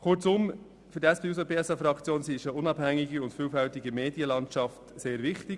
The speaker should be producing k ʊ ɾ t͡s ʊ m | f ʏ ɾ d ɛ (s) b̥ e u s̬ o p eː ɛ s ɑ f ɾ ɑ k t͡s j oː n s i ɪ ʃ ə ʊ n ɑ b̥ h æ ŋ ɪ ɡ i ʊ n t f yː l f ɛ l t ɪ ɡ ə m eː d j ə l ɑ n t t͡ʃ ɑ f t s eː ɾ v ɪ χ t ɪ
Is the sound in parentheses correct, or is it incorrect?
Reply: correct